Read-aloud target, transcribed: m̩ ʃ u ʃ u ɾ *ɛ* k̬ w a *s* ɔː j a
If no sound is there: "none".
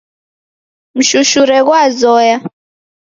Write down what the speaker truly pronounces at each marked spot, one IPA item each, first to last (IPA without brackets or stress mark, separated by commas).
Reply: ɛ, z